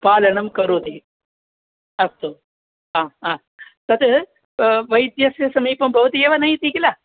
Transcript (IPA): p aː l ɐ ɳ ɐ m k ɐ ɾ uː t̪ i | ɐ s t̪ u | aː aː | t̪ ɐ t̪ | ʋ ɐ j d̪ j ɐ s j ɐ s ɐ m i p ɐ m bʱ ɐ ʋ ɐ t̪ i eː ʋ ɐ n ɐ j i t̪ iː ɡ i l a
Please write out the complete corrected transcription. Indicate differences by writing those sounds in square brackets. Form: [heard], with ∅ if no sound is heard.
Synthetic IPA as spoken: p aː l ɐ ɳ ɐ m k ɐ ɾ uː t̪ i | ɐ s t̪ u | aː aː | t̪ ɐ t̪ | ʋ ɐ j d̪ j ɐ s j ɐ s ɐ m [iː] p ɐ m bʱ ɐ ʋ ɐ t̪ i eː ʋ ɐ n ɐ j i t̪ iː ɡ i l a